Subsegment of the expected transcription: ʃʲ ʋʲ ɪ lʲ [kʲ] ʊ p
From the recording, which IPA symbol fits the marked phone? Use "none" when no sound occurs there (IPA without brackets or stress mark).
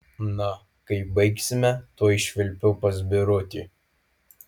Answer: pʲ